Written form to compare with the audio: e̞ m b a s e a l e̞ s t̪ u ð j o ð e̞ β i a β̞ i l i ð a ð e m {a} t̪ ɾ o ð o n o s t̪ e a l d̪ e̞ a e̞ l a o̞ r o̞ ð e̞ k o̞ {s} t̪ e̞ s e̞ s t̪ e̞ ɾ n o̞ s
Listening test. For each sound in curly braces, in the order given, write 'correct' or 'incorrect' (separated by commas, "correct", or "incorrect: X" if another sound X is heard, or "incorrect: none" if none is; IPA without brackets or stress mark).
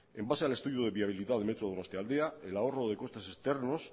incorrect: e, correct